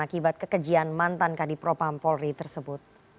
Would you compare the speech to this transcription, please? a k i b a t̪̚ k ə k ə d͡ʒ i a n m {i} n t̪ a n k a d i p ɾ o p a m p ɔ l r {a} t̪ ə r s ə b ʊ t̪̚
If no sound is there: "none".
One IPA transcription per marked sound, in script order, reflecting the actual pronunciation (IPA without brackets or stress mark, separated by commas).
a, i